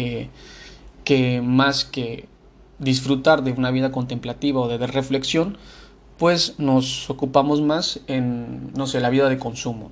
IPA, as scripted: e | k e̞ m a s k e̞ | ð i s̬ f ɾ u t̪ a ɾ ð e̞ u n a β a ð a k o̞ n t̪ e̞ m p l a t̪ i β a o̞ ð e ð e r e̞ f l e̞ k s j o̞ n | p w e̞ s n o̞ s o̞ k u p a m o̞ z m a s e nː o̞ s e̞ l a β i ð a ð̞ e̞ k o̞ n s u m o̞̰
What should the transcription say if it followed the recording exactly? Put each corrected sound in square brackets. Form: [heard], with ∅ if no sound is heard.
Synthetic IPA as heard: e | k e̞ m a s k e̞ | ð i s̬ f ɾ u t̪ a ɾ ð e̞ u n a β [i] ð a k o̞ n t̪ e̞ m p l a t̪ i β a o̞ ð e ð e r e̞ f l e̞ k s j o̞ n | p w e̞ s n o̞ s o̞ k u p a m o̞ z m a s e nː o̞ s e̞ l a β i ð a ð̞ e̞ k o̞ n s u m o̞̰